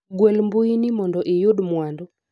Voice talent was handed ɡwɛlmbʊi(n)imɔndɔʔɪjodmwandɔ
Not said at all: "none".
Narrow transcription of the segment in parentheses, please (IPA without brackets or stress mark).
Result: n